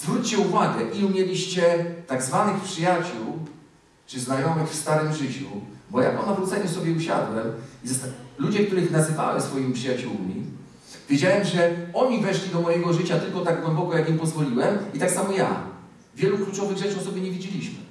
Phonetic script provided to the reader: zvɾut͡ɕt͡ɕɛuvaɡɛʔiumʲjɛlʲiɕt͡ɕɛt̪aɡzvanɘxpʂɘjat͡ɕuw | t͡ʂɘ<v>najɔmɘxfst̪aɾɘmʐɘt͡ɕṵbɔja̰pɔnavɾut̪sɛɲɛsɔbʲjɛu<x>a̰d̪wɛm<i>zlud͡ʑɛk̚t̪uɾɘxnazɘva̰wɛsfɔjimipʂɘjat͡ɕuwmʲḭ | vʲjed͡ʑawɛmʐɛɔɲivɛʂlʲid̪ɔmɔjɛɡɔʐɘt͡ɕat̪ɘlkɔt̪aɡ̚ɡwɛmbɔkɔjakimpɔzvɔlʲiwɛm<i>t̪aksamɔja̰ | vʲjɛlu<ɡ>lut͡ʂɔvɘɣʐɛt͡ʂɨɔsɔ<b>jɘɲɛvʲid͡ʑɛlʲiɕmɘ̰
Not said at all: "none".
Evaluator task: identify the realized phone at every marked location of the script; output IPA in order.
z, ɕ, i, i, k, b

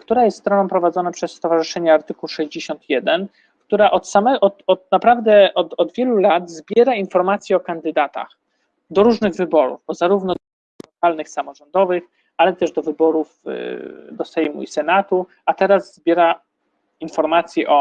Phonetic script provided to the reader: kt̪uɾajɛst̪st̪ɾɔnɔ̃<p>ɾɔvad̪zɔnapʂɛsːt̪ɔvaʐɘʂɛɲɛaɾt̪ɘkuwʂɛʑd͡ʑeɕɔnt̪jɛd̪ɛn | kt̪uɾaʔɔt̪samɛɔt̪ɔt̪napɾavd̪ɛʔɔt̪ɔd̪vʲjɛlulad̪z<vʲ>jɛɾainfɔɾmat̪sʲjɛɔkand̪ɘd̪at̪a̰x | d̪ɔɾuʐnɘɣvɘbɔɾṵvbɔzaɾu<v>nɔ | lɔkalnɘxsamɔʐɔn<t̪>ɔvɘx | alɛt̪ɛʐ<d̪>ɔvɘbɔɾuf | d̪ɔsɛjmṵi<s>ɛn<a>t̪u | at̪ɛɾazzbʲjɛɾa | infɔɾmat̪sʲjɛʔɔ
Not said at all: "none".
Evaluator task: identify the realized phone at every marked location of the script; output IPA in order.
p, bʲ, v, d̪, d̪, s, a

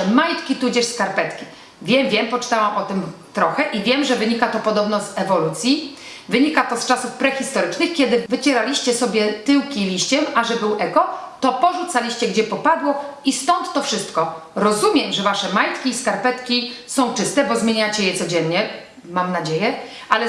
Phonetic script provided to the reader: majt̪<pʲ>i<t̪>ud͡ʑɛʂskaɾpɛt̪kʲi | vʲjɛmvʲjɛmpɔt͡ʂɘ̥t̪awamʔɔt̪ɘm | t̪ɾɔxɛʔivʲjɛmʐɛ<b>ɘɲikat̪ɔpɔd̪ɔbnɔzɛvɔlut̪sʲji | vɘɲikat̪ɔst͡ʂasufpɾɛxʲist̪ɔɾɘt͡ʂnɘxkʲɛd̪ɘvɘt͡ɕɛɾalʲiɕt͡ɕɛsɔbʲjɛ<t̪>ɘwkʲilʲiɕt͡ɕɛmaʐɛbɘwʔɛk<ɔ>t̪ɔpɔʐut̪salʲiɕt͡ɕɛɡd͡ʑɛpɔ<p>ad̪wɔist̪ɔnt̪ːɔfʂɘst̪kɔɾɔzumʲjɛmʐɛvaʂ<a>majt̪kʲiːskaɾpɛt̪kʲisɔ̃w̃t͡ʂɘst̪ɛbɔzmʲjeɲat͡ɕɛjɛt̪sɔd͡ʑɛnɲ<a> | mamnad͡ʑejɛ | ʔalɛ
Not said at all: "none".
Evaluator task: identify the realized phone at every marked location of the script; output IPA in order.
kʲ, t̪, v, t̪, ɔ, p, ɛ, ɛ

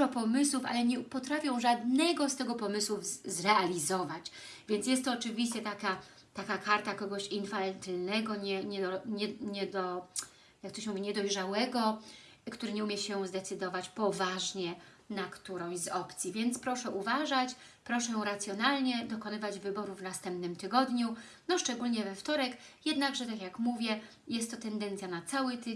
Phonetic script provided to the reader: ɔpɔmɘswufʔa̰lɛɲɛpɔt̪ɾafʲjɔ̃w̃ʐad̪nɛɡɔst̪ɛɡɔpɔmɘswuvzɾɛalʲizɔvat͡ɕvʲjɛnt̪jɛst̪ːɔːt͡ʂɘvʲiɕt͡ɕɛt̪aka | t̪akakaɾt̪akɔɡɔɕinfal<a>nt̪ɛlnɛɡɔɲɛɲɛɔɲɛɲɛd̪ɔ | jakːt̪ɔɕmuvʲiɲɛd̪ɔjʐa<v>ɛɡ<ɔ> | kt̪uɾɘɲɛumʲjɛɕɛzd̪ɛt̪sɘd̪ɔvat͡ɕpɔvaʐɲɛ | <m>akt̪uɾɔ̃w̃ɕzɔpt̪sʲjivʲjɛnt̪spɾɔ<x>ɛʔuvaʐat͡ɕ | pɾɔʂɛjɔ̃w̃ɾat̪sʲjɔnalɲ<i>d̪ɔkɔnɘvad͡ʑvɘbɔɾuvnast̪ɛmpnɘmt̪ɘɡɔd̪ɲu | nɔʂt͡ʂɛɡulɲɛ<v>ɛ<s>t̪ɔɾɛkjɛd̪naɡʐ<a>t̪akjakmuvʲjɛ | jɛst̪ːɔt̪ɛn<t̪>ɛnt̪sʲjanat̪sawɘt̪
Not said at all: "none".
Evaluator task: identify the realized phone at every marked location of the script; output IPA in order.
ɛ, w, ɔ, n, ʂ, ɛ, v, f, ɛ, d̪

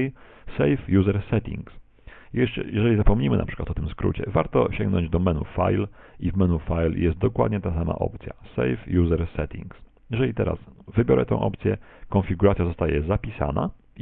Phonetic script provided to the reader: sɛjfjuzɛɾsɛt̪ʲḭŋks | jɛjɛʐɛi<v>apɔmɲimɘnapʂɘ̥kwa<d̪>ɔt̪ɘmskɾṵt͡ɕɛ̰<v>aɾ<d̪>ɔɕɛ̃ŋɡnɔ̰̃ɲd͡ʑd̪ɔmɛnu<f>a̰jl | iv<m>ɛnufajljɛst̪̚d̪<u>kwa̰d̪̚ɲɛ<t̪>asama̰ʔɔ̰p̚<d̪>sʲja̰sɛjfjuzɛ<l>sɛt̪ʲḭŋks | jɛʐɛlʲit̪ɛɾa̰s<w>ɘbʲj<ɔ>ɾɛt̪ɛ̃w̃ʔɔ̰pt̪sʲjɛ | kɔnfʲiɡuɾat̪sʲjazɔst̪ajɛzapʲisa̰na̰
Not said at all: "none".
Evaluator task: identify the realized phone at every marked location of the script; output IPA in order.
z, t̪, v, t̪, f, m, ɔ, t̪, t̪, ɾ, v, ɔ

